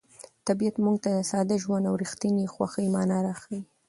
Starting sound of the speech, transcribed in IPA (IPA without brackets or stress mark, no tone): t̪